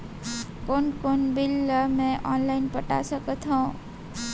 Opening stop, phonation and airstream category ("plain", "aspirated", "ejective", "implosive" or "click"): plain